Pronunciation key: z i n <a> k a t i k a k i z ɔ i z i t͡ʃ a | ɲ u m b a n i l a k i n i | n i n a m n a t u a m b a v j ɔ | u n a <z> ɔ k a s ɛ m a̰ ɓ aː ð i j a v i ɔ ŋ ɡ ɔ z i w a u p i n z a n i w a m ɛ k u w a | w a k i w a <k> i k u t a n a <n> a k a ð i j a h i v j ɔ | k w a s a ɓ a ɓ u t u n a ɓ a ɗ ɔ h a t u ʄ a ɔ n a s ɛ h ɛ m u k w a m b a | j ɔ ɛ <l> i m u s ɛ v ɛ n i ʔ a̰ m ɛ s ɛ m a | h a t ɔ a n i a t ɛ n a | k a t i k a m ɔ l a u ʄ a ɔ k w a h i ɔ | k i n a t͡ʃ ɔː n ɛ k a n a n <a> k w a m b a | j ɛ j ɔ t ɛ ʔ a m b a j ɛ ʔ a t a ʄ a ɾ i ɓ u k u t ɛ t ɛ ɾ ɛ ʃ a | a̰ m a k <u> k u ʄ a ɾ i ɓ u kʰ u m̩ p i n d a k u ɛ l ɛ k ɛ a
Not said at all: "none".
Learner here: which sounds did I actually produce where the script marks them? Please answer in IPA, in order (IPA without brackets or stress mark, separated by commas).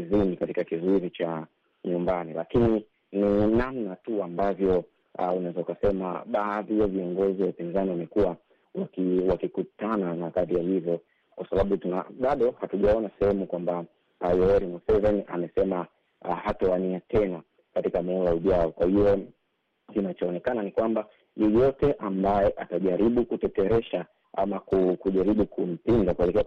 i, z, k, n, ɾ, i, u